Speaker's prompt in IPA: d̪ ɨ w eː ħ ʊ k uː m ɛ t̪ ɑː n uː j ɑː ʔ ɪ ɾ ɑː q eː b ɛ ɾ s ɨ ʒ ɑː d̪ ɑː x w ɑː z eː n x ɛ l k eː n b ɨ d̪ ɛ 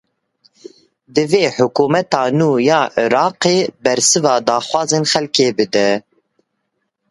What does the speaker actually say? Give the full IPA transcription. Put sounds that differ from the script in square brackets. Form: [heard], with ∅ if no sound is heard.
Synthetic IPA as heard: d̪ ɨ [v] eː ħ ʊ k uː m ɛ t̪ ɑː n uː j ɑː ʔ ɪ ɾ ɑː q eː b ɛ ɾ s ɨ [v] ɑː d̪ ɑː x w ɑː z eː n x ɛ l k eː [∅] b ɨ d̪ ɛ